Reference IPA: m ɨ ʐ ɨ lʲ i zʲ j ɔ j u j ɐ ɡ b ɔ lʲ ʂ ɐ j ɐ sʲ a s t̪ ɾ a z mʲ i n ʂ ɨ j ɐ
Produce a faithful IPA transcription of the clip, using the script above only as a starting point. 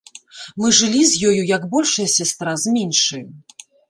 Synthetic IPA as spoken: m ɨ ʐ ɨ lʲ i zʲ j ɔ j u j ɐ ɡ b ɔ lʲ ʂ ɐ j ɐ sʲ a s t̪ ɾ a z mʲ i n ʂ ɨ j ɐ